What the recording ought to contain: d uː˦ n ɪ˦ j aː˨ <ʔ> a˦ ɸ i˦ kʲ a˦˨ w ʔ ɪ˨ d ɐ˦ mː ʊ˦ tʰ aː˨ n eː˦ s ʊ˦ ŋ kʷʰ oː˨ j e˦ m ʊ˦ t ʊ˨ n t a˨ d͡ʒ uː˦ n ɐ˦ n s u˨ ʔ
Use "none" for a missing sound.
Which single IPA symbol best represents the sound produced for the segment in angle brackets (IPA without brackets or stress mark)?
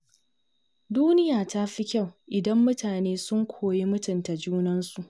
t